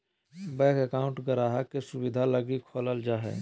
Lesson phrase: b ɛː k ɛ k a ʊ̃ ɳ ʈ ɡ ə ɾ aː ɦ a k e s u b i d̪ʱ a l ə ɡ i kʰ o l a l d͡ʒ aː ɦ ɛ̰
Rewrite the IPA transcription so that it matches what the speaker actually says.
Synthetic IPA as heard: b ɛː k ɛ k a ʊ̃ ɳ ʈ ɡ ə ɾ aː ɦ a k e s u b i d̪ʱ a l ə ɡ i kʰ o l ə l d͡ʒ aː ɦ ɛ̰